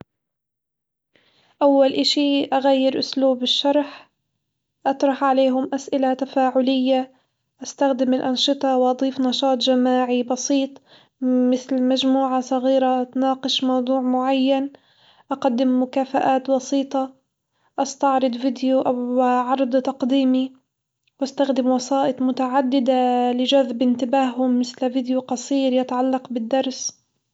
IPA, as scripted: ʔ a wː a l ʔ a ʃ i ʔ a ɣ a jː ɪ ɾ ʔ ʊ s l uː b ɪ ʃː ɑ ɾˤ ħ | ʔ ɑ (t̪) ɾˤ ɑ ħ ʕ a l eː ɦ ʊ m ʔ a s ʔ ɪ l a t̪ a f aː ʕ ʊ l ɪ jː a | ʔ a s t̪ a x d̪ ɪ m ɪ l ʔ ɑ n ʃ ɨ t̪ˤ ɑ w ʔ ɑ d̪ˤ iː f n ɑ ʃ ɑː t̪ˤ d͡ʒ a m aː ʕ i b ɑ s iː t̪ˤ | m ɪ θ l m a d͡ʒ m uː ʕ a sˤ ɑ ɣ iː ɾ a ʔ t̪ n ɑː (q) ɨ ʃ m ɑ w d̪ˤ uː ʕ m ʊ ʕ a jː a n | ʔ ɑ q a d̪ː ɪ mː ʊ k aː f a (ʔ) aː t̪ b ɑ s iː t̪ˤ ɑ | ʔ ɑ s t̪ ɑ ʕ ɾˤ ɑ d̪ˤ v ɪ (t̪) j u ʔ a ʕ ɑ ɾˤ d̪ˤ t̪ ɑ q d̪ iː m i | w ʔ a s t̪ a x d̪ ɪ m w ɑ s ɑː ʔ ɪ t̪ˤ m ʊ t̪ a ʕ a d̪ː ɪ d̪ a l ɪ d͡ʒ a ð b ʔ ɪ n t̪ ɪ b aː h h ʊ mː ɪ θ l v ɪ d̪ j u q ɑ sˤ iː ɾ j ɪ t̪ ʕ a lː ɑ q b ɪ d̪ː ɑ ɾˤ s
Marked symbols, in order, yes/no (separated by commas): yes, yes, yes, no